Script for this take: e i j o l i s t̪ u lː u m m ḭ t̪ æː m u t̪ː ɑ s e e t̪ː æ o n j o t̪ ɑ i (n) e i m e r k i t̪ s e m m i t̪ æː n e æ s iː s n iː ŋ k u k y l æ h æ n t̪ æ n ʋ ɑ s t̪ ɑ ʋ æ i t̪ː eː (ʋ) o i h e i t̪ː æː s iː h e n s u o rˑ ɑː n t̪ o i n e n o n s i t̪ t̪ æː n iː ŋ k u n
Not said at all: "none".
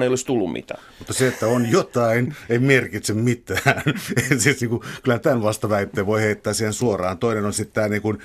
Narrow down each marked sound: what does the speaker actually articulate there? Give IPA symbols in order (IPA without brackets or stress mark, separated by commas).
n, ʋ